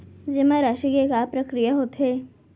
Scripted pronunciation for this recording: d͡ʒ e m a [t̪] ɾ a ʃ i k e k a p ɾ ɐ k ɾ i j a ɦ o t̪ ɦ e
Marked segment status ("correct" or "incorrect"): incorrect